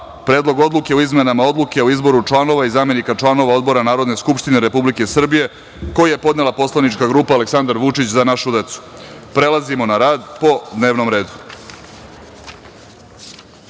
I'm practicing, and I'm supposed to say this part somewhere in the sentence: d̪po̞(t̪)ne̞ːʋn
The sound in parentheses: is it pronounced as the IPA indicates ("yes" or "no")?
no